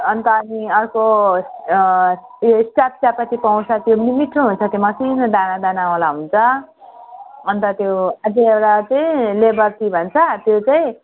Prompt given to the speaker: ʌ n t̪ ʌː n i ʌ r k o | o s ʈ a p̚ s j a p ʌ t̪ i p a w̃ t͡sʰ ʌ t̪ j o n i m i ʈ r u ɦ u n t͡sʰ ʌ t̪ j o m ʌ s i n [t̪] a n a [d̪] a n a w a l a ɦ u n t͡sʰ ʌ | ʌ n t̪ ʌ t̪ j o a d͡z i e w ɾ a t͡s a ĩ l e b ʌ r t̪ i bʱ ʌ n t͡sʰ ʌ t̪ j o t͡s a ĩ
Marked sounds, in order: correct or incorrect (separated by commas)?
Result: incorrect, correct